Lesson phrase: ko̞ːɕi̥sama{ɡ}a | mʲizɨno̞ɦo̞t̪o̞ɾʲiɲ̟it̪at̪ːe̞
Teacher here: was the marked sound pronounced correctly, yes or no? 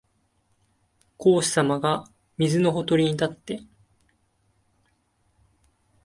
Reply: yes